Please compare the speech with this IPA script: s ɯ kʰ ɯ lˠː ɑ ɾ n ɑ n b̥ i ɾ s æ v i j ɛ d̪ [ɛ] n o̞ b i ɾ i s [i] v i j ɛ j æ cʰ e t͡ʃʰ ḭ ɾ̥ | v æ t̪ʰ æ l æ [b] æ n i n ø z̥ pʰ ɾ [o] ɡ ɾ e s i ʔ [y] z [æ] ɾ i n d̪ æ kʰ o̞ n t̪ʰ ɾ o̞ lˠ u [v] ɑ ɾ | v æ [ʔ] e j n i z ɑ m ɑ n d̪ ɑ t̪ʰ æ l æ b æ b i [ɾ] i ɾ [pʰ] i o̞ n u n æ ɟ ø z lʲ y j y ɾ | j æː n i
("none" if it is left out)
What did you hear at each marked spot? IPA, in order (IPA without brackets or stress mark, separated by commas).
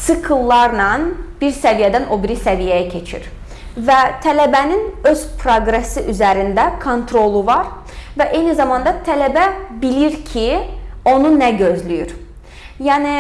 æ, æ, b, o, y, æ, v, ʔ, l, cʰ